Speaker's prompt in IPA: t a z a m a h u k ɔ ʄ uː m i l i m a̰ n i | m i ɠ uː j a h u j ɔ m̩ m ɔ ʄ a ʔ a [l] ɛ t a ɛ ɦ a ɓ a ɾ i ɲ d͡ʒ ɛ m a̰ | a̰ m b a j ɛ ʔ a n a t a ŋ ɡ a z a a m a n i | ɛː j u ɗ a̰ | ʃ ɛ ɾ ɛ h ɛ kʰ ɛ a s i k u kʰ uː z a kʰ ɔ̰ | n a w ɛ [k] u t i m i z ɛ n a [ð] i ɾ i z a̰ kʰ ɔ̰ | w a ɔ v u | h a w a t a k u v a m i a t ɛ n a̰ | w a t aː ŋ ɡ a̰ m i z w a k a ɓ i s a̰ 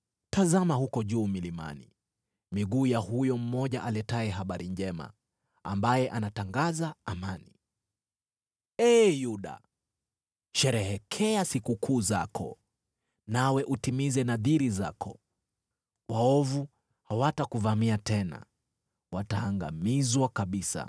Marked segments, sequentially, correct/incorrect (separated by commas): correct, incorrect, correct